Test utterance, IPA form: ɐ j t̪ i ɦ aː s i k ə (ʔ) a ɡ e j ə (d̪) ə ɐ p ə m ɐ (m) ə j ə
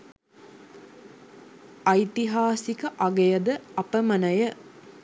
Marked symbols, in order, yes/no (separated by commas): yes, yes, no